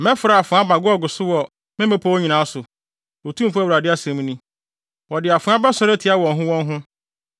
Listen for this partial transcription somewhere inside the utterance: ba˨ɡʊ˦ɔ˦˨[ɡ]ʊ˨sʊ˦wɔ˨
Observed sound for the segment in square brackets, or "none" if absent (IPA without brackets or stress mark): ɡ